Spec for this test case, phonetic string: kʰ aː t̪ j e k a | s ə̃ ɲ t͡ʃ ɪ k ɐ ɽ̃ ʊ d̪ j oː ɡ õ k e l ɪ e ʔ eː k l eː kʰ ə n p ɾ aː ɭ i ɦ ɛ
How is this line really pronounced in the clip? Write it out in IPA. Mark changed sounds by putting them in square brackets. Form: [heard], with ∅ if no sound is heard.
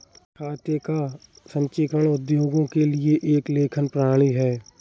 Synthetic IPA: kʰ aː t̪ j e k a | s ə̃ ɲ t͡ʃ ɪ k [ə] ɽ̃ ʊ d̪ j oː ɡ õ k e l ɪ e ʔ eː k l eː kʰ ə n p ɾ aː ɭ i ɦ [ɛː]